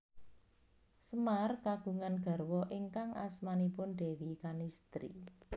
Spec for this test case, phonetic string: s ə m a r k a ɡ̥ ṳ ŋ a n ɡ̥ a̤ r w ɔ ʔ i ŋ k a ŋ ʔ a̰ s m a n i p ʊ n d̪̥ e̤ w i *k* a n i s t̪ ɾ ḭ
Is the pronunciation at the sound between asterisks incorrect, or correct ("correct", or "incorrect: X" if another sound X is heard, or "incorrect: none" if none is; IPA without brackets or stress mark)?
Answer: correct